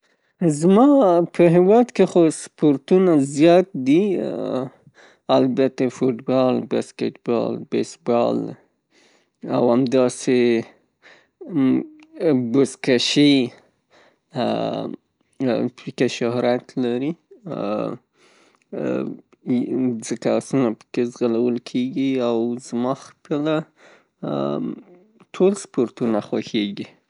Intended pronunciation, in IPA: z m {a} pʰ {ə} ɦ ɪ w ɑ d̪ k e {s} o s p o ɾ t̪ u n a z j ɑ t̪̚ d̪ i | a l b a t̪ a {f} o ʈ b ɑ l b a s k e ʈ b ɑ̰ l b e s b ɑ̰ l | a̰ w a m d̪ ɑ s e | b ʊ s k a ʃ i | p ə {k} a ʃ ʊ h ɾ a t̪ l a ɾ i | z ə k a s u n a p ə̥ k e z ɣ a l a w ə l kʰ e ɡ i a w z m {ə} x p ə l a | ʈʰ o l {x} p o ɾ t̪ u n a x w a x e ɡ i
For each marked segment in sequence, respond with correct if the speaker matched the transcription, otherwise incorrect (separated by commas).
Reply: incorrect, correct, incorrect, correct, correct, incorrect, incorrect